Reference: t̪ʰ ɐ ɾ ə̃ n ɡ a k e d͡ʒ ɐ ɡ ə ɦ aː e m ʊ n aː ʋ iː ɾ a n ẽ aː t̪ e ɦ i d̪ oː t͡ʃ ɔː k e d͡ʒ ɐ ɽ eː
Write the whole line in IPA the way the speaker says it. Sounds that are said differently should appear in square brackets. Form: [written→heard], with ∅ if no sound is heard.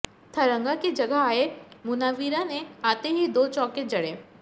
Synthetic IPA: t̪ʰ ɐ ɾ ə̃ [n→ŋ] ɡ a k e d͡ʒ ɐ ɡ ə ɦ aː e m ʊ n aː ʋ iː ɾ a n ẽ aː t̪ e ɦ i d̪ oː t͡ʃ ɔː k e d͡ʒ ɐ ɽ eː